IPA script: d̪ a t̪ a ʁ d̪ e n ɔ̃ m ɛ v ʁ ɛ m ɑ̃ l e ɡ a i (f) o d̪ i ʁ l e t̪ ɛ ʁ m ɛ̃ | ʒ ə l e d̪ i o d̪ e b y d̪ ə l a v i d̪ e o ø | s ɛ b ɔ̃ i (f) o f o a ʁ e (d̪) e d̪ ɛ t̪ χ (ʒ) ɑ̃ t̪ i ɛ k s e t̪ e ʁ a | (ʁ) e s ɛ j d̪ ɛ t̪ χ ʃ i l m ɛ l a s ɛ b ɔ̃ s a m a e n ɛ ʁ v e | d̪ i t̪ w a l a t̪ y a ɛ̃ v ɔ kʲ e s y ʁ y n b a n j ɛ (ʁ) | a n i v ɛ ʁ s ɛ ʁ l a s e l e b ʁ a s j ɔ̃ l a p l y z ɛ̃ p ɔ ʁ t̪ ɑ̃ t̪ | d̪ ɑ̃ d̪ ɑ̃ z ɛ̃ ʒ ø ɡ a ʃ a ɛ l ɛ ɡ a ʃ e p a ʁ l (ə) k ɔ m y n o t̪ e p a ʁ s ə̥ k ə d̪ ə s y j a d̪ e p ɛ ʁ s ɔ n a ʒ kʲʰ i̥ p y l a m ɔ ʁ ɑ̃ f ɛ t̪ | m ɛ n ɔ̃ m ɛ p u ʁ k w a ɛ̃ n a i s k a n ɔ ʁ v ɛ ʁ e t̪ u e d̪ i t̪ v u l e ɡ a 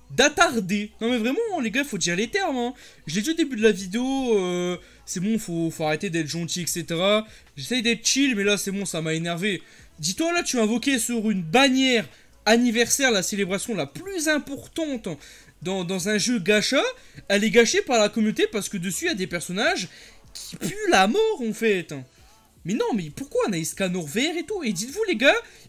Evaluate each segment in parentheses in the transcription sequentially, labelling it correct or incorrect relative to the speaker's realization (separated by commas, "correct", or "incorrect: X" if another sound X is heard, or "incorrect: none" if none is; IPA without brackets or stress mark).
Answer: correct, correct, incorrect: t̪, correct, incorrect: ʒ, correct, incorrect: a